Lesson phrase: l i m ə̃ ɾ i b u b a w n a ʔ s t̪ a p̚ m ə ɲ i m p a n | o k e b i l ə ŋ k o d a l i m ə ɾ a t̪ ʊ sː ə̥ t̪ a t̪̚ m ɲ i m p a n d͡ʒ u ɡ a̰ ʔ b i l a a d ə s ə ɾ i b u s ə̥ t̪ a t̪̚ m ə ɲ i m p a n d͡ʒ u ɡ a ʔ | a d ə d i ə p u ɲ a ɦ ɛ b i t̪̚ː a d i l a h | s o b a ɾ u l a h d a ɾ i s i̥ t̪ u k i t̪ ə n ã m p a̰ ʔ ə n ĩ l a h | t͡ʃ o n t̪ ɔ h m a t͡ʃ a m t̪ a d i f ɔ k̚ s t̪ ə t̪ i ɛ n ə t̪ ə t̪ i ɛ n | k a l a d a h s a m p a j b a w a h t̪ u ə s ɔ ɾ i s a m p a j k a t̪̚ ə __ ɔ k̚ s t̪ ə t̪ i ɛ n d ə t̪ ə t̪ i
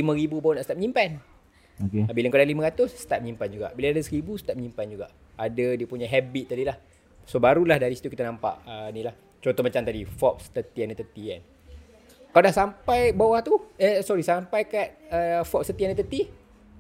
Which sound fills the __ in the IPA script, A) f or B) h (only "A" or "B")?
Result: A